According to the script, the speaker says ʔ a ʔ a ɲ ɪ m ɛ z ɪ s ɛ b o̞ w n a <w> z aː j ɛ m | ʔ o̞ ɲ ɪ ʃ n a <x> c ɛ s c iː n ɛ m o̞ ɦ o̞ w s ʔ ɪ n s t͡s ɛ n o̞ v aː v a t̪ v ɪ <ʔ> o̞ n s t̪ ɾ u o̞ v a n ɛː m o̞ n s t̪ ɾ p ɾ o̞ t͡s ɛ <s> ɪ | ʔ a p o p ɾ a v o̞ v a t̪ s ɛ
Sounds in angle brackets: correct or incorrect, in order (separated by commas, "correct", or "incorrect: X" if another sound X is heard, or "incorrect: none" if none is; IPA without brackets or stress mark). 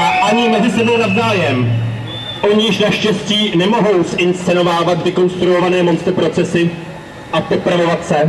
incorrect: v, incorrect: ʃ, incorrect: k, correct